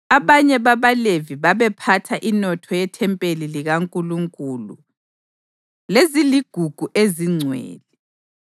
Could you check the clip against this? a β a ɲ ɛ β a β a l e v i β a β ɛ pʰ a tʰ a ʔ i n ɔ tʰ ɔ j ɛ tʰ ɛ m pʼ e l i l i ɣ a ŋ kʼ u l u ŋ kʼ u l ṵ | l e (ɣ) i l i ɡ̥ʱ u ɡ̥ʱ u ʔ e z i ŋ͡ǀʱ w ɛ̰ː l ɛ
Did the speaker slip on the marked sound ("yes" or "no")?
yes